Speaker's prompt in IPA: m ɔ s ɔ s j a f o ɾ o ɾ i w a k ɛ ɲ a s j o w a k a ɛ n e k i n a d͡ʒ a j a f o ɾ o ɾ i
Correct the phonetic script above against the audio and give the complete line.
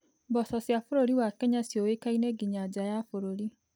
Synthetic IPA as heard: b ɔ s ɔ s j a f o ɾ o ɾ i w a k ɛ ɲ a s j o w e k a i n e ɡ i ɲ a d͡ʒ a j a f o ɾ o ɾ i